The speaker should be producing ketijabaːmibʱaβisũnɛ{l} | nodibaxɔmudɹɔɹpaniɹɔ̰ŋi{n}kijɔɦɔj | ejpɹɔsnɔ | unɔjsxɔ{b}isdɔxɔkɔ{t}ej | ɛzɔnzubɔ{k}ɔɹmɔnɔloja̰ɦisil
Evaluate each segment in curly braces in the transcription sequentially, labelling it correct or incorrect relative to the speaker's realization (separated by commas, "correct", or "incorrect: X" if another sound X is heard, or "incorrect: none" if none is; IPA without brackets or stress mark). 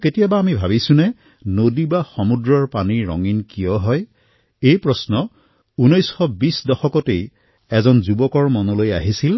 incorrect: none, correct, correct, correct, correct